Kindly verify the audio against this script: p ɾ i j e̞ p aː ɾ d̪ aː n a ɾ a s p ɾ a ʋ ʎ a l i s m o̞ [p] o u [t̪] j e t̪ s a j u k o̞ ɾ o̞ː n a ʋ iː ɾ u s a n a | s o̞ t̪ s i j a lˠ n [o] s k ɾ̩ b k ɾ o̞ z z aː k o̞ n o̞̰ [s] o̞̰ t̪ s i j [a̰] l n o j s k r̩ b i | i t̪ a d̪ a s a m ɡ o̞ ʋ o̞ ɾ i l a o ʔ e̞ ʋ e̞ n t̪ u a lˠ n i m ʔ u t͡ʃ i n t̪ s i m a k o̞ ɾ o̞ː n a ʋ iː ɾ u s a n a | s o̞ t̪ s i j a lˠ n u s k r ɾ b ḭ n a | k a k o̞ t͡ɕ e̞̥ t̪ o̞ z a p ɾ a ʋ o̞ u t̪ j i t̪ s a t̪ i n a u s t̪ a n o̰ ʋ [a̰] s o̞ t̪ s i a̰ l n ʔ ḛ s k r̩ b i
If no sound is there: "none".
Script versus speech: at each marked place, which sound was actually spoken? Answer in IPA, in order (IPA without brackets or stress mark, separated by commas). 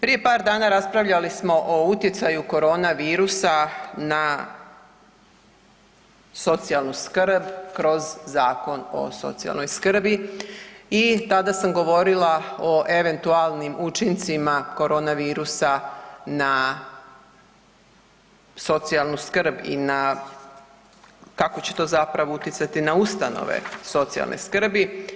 ʔ, t̪, u, s, a̰, ḛ